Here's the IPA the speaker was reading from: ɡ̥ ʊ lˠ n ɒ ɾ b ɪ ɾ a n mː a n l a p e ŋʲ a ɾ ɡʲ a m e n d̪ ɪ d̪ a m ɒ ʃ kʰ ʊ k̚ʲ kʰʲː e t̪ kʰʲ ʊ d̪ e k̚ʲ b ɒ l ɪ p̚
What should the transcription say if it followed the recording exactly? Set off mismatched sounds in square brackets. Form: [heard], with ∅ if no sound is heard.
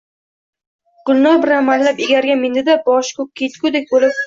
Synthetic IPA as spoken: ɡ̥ ʊ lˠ n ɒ ɾ b ɪ ɾ a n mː a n l a p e [ɡʲ] a ɾ ɡʲ a m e n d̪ ɪ d̪ a [b] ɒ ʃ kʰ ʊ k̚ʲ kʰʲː e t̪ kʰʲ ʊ d̪ e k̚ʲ b [o] l ɪ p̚